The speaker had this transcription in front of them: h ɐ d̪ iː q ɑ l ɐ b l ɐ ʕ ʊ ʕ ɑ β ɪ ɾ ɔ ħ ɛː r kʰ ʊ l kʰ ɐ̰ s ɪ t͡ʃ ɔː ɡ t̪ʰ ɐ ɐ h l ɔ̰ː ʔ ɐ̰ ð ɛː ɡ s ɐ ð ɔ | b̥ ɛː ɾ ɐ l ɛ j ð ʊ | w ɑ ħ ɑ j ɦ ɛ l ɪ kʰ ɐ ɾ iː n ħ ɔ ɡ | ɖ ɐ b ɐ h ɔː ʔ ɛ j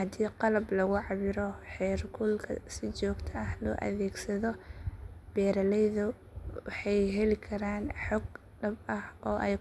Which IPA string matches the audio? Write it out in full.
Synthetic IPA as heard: h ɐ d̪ iː q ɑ l ɐ b l ɐ ɣ ʊ ʕ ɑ β ɪ ɾ ɔ ħ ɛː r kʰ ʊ l kʰ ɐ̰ s ɪ t͡ʃ ɔː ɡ t̪ʰ ɐ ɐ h l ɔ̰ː ʔ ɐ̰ ð ɛː ɡ s ɐ ð ɔ | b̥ ɛː ɾ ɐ l ɛ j ð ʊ | w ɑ ħ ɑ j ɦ ɛ l ɪ kʰ ɐ ɾ aː n ħ ɔ ɡ | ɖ ɐ b ɐ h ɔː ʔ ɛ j

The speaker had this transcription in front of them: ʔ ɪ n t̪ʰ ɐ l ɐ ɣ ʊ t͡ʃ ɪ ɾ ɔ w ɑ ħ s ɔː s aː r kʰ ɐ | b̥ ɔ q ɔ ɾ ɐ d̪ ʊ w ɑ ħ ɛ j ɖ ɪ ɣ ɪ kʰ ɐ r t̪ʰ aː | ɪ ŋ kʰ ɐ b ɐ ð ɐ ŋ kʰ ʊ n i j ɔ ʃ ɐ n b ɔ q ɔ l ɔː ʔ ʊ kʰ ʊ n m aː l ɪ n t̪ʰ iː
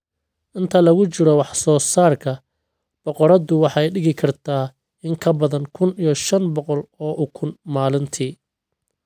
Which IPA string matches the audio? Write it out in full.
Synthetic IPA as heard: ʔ ɪ n t̪ʰ ɐ l ɐ ɣ ʊ t͡ʃ ɪ ɾ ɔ w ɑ ħ s ɔː s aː r kʰ ɐ | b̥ ɔ q ɔ ɾ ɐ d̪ ʊ w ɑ ħ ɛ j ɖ ɪ ɣ ɪ kʰ ɐ r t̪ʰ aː | ɪ ŋ kʰ ɐ b ɐ ð ɐ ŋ kʰ ʊ n i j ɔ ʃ ɐ n b ɔ q ɔ l ɔː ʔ ʊ kʰ ʊ n m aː l ɪ n t̪ʰ iː

